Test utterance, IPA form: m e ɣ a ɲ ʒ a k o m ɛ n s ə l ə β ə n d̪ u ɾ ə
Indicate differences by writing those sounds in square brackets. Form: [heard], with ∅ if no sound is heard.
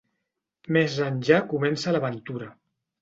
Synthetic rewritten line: m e [z] a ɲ ʒ a k [u] m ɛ n s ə l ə β ə n [t̪] u ɾ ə